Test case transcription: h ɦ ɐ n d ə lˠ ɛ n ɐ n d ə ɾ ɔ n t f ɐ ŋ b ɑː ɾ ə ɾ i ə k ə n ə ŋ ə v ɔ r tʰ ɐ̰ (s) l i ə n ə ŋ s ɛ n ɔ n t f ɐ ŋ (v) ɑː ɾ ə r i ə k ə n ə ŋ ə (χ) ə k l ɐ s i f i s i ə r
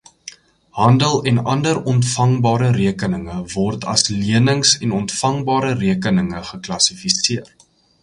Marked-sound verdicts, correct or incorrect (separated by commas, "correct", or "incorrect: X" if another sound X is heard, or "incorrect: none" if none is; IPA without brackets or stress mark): correct, incorrect: b, correct